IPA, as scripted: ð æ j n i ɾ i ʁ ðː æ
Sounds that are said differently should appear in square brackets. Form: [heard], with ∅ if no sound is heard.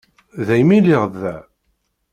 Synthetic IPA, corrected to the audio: ð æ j [m] i [l] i ʁ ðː æ